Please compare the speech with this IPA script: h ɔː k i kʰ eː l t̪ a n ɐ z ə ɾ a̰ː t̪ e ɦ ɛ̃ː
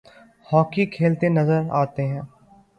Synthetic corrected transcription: h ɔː k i kʰ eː l t̪ e n ɐ z ə ɾ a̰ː t̪ e ɦ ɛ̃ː